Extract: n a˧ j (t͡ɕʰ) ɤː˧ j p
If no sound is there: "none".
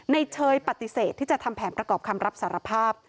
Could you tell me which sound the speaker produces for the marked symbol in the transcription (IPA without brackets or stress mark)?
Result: t͡ɕʰ